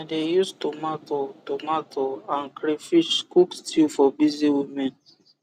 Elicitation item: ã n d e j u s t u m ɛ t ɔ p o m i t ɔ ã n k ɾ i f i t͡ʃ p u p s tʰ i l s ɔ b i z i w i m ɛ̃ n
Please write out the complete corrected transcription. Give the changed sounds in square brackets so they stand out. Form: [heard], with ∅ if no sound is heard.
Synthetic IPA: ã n d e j u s t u m [a] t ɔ [t] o m [a] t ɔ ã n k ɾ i f i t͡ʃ [k] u [k] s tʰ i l [f] ɔ b i z i w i m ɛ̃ n